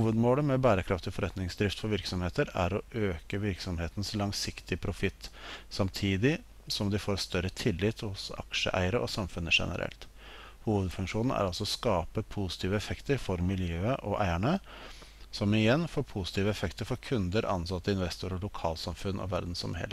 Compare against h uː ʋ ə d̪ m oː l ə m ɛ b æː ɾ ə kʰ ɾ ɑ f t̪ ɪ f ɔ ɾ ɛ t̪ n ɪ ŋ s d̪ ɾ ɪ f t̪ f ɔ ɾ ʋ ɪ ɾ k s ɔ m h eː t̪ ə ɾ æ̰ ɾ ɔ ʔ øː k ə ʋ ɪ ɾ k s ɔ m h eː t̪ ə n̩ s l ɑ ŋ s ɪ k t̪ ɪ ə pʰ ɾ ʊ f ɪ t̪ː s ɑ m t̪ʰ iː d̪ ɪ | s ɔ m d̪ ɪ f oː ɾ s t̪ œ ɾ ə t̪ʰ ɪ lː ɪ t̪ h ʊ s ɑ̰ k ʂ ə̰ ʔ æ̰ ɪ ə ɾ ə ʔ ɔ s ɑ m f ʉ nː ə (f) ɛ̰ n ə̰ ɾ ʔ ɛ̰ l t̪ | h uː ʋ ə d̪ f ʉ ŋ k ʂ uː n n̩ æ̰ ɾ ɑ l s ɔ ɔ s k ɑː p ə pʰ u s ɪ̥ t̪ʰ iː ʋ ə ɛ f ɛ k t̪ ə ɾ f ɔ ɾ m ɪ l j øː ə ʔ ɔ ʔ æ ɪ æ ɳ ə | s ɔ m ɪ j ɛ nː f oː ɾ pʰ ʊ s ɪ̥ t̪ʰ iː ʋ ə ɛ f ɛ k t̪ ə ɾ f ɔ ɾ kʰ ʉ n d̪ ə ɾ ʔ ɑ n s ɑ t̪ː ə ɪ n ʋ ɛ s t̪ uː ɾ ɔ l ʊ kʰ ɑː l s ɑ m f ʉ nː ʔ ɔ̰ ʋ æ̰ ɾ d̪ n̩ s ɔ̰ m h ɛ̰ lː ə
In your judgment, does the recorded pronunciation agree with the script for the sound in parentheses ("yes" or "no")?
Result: no